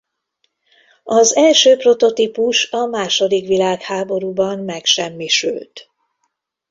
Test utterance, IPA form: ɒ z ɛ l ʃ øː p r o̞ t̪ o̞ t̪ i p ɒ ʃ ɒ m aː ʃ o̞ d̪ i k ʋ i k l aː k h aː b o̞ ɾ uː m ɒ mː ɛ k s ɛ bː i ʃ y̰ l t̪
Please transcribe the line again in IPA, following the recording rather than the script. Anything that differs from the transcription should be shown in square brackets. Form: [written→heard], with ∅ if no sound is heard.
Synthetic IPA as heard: ɒ z ɛ l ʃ øː p r o̞ t̪ o̞ t̪ i p [ɒ→u] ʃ ɒ m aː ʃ o̞ d̪ i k ʋ i [k→∅] l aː k h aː b o̞ ɾ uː [m→b] ɒ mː ɛ k [s→ʃ] ɛ [bː→mː] i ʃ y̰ l t̪